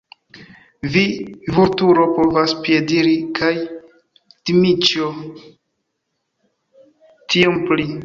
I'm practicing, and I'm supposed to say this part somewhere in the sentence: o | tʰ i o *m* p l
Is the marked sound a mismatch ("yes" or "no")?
no